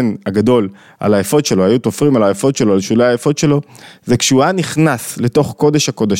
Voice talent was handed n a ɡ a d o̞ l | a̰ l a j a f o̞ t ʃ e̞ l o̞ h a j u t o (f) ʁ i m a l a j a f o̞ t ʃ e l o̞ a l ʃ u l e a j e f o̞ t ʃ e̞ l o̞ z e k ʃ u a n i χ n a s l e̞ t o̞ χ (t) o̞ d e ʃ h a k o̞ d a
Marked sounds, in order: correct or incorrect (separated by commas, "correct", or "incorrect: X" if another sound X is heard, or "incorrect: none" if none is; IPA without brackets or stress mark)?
correct, incorrect: k